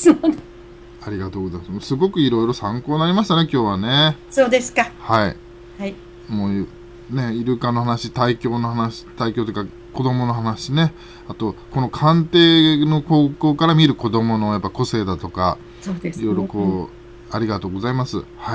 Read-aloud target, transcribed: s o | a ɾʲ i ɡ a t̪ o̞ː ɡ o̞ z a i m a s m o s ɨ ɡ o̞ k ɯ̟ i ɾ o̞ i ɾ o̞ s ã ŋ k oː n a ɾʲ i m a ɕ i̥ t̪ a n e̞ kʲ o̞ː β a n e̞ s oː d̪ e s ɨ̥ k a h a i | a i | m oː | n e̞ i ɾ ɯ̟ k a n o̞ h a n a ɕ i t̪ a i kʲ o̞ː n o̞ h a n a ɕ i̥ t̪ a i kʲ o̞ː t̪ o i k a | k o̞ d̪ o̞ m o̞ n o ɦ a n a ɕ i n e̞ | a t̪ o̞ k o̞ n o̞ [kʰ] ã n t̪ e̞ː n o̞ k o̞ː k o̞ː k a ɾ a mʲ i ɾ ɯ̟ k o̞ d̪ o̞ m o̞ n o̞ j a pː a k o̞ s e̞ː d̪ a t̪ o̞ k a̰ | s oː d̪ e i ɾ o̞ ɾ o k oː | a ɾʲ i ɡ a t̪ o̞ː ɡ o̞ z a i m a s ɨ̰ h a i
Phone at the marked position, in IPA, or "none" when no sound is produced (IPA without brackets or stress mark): kʰ